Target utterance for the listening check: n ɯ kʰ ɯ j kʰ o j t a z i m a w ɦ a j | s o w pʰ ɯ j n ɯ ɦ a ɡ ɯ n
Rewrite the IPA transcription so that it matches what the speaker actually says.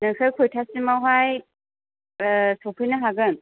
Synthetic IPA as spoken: n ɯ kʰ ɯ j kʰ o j tʰ a s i m a w ɦ a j | s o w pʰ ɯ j n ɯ ɦ a ɡ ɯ n